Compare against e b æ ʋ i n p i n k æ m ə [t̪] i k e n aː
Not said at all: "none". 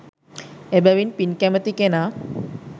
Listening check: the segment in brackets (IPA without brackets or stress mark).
t̪